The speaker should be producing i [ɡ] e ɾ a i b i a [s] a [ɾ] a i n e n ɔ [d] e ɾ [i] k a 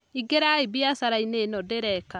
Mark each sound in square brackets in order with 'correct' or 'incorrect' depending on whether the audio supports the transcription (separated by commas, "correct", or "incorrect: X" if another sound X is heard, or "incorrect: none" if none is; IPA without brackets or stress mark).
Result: correct, correct, correct, correct, incorrect: ɛ